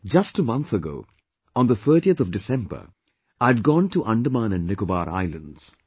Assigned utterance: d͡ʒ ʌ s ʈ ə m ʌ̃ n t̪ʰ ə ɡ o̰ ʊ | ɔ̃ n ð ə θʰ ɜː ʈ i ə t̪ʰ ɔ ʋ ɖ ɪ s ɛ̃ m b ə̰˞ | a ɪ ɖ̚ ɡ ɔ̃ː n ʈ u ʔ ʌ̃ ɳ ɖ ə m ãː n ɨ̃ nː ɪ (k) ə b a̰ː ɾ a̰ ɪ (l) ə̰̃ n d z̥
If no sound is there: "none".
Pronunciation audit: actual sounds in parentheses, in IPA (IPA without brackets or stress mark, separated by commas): k, l